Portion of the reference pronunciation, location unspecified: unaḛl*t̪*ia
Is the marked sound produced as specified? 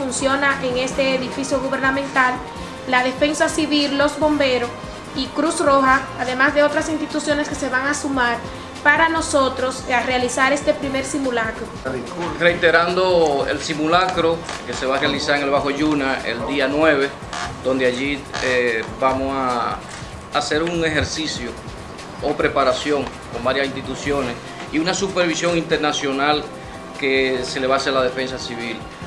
no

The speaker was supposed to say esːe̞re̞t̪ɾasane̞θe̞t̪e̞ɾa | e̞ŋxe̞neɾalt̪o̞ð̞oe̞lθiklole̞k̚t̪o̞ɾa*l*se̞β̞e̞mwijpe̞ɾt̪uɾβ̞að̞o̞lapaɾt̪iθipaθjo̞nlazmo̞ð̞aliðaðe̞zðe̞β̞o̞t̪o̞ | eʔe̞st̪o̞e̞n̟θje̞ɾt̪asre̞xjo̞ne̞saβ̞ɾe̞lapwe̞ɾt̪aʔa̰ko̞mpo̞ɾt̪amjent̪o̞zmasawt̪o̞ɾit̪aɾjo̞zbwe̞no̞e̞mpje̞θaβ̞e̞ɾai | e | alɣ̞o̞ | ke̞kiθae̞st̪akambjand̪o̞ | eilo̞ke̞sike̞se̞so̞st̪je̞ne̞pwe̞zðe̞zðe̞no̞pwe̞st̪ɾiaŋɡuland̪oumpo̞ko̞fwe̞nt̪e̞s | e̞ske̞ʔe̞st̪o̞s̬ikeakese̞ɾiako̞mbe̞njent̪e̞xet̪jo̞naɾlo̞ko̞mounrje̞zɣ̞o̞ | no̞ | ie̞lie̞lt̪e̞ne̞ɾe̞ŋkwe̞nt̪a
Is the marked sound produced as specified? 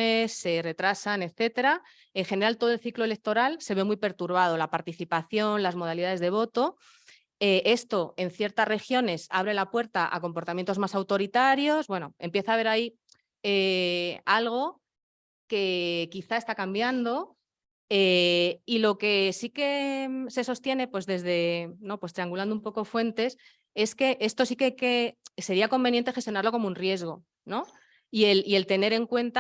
yes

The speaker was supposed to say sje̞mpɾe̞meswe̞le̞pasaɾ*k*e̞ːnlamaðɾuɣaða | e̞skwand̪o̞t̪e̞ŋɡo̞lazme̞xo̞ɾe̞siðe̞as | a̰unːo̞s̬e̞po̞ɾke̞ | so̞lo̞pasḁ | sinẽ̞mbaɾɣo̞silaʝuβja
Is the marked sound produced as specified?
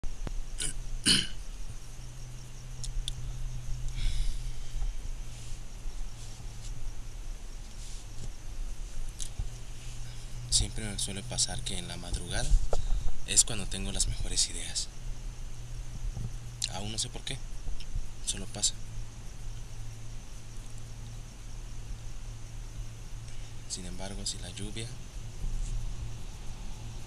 yes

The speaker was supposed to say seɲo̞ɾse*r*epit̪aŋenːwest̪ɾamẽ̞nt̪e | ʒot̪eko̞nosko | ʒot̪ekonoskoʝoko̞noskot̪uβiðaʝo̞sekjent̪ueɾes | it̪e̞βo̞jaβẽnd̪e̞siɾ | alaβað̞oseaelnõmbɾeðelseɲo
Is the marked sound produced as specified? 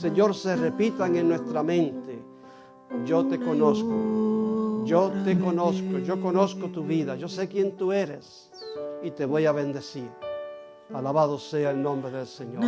yes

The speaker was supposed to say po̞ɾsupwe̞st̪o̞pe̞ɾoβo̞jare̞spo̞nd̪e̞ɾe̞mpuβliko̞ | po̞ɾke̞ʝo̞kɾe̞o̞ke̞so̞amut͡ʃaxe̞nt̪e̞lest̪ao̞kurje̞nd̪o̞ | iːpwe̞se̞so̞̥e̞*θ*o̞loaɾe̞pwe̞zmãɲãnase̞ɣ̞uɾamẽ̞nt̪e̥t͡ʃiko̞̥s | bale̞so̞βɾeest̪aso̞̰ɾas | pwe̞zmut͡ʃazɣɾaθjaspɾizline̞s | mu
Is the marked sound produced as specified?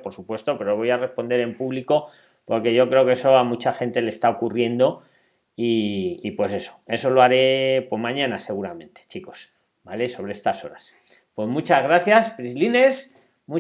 no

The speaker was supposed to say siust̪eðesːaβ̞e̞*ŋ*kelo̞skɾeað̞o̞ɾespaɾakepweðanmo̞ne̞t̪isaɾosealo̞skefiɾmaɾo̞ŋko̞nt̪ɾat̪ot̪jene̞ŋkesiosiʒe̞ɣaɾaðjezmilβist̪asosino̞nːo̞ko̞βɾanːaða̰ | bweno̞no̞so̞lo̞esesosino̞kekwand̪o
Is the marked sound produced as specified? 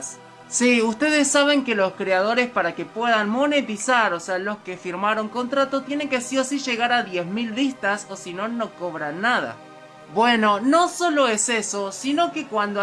yes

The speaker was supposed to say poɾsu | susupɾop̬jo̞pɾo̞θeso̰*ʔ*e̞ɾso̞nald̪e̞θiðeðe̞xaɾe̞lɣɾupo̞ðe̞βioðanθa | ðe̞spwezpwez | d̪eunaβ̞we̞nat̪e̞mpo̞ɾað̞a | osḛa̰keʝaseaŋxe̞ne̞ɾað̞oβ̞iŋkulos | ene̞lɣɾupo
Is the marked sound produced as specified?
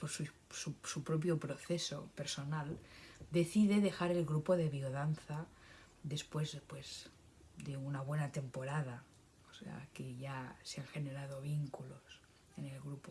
no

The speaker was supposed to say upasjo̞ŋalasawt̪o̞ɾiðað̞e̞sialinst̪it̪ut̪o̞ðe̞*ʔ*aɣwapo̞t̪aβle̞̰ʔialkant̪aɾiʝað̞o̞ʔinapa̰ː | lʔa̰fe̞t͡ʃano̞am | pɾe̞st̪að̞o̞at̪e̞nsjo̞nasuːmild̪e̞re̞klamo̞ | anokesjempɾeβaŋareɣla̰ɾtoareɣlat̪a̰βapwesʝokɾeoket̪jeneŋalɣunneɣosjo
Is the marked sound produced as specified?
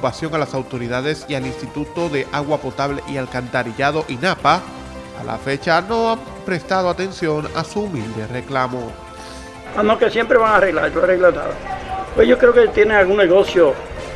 yes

